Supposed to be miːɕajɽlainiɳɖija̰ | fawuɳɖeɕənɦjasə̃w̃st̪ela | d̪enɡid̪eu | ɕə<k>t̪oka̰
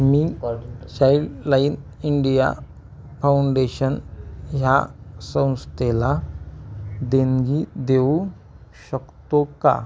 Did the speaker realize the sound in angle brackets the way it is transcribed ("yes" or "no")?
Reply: yes